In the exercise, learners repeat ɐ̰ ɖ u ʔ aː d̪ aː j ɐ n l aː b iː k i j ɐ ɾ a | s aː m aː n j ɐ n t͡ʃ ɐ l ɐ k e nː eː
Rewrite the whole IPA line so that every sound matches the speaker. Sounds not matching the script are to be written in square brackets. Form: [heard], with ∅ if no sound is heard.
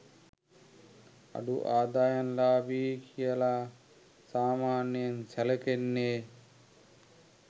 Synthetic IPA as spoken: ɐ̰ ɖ u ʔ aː d̪ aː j ɐ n l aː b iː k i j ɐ [l] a | s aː m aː n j ɐ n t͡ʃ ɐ l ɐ k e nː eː